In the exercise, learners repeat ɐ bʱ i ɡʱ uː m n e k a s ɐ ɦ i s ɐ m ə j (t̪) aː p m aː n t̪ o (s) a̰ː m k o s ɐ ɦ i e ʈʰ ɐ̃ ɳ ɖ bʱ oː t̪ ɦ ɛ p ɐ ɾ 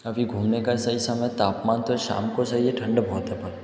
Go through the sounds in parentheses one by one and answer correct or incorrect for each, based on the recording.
correct, incorrect: ʃ

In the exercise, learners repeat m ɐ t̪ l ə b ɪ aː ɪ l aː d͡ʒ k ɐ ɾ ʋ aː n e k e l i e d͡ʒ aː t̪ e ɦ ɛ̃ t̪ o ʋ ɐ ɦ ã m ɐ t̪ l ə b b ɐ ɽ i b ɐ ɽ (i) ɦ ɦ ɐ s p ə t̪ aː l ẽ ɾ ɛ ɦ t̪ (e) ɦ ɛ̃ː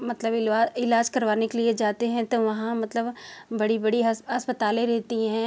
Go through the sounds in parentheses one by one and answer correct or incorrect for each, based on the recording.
correct, incorrect: i

